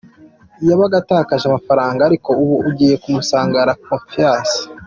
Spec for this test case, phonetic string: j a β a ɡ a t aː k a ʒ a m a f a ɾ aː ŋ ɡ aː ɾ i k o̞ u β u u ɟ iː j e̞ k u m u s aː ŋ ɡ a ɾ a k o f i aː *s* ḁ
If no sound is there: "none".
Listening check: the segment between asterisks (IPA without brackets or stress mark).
s